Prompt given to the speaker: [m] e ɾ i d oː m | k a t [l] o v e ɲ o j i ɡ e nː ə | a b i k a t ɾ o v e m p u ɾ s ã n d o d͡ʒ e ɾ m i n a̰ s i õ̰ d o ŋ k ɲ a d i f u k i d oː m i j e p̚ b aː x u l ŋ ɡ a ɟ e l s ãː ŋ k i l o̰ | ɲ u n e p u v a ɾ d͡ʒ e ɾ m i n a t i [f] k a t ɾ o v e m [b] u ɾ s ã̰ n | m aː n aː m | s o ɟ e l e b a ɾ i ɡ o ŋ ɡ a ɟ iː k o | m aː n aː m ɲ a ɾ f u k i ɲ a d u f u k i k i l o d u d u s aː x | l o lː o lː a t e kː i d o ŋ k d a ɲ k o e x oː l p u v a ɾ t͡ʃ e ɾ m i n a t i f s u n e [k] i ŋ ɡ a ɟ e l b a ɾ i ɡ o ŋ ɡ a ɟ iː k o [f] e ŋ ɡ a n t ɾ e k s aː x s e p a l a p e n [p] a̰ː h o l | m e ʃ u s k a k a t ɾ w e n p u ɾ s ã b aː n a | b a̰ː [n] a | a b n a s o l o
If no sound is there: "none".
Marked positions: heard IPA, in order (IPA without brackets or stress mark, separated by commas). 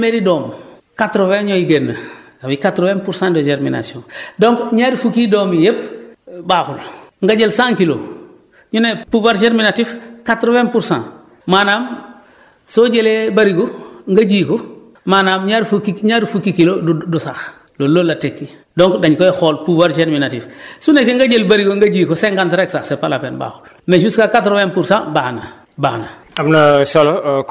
m, ɾ, f, p, k, s, b, n